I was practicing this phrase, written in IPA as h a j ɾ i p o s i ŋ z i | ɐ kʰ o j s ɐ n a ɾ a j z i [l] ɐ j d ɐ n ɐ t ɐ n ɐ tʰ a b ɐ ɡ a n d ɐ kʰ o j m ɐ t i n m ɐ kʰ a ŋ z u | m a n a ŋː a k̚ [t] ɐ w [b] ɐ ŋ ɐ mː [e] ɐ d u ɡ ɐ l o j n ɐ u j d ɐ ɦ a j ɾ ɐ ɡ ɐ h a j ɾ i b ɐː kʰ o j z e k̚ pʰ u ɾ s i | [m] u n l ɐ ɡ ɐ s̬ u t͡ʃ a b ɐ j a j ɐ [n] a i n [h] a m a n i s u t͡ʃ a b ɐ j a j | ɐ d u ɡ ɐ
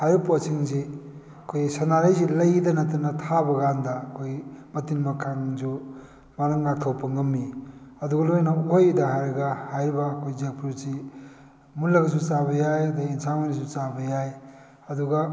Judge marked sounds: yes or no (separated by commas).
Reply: yes, no, no, no, yes, no, no